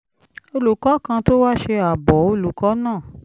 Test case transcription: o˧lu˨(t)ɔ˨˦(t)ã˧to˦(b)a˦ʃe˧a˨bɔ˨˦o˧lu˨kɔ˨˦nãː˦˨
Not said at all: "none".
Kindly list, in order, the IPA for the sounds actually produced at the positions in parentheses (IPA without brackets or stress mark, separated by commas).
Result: k, k, w